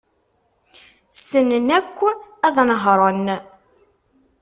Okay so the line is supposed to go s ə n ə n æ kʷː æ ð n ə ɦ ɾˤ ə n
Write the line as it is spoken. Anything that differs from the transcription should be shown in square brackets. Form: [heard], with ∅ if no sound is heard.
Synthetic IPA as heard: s ə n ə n æ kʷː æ ð n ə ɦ ɾˤ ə n